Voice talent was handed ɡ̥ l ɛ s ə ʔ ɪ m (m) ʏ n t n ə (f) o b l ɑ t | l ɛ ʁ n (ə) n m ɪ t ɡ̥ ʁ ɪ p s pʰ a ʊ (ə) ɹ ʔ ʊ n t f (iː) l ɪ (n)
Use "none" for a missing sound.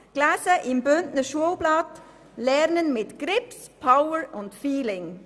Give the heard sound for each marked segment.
b, ʃ, ə, ə, iː, ŋ

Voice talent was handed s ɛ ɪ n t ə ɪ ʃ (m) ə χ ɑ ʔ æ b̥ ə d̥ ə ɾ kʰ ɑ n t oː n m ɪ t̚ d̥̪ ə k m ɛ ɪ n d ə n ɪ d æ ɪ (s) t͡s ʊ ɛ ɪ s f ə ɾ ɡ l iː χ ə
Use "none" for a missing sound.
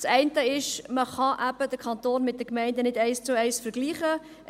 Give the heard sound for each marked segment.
m, s

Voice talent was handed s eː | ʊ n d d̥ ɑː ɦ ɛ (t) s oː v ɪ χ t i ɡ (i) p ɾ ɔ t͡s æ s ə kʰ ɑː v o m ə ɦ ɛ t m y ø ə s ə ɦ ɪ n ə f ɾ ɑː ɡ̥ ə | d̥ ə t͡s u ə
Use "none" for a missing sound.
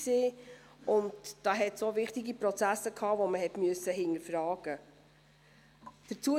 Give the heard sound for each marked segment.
t, i

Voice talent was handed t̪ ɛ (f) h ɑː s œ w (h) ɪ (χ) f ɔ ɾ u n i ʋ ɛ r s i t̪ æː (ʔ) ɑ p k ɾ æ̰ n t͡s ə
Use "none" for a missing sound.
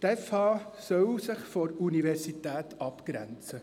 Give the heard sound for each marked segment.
f, s, χ, t

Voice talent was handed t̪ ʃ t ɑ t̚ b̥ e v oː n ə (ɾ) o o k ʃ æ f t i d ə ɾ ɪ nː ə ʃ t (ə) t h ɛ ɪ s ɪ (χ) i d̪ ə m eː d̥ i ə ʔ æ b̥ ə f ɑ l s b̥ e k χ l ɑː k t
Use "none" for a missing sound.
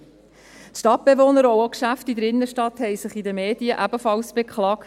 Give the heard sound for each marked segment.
ɾ, ɑ, χ

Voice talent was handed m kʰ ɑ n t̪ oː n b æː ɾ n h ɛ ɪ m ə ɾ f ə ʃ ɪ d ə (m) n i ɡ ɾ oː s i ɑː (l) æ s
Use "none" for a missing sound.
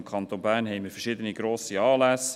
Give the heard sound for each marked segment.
none, l

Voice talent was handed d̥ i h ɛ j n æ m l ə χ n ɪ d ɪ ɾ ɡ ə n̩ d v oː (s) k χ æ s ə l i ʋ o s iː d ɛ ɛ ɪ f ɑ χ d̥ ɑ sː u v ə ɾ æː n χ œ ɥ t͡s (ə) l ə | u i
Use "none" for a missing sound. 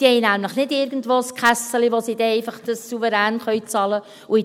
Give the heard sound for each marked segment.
s, ɑ

